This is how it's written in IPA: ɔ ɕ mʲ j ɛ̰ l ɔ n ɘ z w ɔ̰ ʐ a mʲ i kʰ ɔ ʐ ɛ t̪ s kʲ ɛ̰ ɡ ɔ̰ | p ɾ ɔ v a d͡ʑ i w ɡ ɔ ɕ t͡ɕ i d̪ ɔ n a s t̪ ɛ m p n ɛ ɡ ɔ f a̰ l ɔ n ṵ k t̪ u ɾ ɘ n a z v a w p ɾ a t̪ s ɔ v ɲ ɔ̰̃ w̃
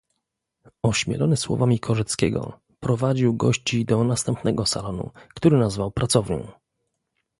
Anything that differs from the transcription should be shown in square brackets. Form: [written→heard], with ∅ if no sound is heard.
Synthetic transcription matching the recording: ɔ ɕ mʲ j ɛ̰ l ɔ n ɘ [z→s] w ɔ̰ [ʐ→v] a mʲ i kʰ ɔ ʐ ɛ t̪ s kʲ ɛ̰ ɡ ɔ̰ | p ɾ ɔ v a d͡ʑ i w ɡ ɔ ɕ t͡ɕ i d̪ ɔ n a s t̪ ɛ m p n ɛ ɡ ɔ [f→s] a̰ l ɔ n ṵ k t̪ u ɾ ɘ n a z v a w p ɾ a t̪ s ɔ v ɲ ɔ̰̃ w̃